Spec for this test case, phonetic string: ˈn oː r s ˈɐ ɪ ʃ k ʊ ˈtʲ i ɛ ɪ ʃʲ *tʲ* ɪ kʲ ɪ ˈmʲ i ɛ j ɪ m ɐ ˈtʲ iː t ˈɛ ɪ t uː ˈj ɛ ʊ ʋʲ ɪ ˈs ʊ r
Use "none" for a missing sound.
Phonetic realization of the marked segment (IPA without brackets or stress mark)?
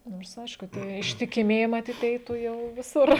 tʲ